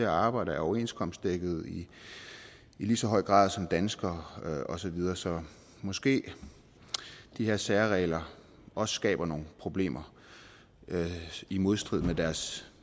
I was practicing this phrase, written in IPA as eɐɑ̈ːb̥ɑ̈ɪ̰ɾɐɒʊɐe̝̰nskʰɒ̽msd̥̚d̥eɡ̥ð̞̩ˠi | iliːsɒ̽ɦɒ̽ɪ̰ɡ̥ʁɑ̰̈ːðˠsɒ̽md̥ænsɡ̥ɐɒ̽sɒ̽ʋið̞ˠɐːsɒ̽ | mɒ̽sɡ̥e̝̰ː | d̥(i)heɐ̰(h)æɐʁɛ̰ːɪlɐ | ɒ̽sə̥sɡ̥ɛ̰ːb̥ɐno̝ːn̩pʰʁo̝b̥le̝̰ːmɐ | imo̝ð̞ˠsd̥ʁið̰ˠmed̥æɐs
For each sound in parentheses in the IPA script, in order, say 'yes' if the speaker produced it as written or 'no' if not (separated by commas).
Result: yes, no